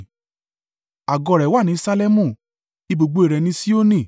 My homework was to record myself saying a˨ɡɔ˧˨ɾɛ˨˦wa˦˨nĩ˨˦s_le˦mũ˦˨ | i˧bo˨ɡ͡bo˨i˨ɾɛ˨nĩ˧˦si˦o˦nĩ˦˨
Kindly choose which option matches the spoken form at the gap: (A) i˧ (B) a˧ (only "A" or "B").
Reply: B